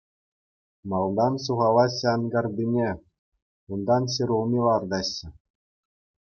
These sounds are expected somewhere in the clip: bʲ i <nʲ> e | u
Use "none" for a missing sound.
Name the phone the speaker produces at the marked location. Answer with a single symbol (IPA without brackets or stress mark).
nʲ